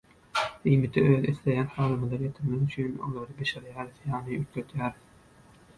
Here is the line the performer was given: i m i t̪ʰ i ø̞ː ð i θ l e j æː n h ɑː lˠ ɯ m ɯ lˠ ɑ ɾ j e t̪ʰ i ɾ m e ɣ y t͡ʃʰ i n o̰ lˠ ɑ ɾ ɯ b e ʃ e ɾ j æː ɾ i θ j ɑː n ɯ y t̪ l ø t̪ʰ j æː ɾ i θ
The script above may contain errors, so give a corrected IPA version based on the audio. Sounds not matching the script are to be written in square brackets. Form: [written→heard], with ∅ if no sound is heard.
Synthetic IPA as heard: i m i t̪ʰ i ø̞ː ð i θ l e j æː n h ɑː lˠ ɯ m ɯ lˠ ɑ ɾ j e t̪ʰ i ɾ m e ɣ y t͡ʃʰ [i→y] n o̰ lˠ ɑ ɾ ɯ b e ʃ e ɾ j æː ɾ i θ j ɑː n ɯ y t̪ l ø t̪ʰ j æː ɾ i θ